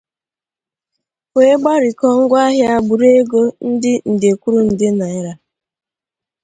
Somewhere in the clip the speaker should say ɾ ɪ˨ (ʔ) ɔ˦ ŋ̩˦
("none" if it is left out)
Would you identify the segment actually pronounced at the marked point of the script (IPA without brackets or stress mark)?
k